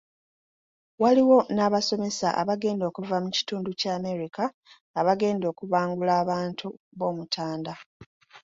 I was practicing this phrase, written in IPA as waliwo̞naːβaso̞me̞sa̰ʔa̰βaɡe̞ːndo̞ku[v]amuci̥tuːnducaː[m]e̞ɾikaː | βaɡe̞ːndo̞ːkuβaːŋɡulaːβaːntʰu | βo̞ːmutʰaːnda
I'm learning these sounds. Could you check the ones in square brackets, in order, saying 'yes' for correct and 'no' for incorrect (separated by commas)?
yes, yes